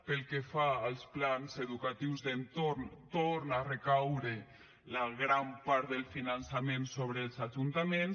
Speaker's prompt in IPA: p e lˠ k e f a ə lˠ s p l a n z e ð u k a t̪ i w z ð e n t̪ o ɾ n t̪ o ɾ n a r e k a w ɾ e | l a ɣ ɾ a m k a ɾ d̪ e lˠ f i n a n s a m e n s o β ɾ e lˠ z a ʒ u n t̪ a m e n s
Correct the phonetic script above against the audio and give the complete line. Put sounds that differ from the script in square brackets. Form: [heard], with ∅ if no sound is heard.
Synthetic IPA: p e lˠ k e f a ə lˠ s p l a n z e ð u k a t̪ i w z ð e n t̪ o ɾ n t̪ o ɾ n a r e k a w ɾ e | l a ɣ ɾ a m [p] a ɾ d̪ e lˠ f i n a n s a m e n s o β ɾ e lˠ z a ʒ u n t̪ a m e n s